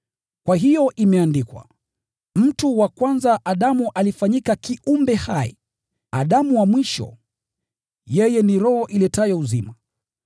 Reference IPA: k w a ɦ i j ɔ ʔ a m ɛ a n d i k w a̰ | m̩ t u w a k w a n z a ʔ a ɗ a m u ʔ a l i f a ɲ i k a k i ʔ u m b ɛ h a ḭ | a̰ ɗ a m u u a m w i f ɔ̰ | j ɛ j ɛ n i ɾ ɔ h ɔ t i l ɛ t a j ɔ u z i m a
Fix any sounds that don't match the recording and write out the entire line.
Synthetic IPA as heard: k w a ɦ i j ɔ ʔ i m ɛ a n d i k w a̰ | m̩ t u w a k w a n z a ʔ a ɗ a m u ʔ a l i f a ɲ i k a k i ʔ u m b ɛ h a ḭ | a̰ ɗ a m u w a m w i ʃ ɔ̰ | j ɛ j ɛ n i ɾ ɔ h ɔ ʔ i l ɛ t a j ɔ u z i m a